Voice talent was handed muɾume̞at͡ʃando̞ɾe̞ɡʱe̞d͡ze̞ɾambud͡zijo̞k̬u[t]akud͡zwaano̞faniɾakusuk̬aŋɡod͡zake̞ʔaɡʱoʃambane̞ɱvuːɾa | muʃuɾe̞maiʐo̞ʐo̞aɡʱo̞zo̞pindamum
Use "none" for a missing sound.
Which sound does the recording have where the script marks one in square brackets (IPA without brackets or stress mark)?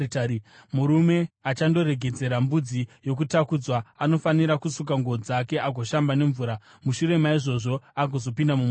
t